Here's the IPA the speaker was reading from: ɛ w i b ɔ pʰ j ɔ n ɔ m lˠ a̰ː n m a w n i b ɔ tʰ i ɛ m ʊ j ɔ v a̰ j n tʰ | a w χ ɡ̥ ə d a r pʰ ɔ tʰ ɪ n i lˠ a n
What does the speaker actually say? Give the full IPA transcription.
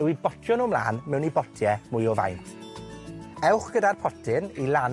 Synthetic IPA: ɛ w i b ɔ tʰ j ɔ n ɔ m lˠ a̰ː n m ɛ w n i b ɔ tʰ j ɛ m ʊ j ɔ v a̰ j n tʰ | ɛ w χ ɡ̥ ə d a r pʰ ɔ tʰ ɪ n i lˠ a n